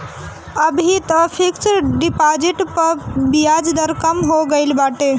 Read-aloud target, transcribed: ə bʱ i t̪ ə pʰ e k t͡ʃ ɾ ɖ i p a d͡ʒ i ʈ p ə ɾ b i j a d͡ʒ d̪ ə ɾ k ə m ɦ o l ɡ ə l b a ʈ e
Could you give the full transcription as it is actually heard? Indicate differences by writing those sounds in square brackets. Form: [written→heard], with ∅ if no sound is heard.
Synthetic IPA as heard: ə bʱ i t̪ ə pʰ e k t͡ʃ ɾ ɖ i p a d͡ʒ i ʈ p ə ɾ b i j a d͡ʒ d̪ ə ɾ k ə m ɦ o [l→∅] ɡ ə l b a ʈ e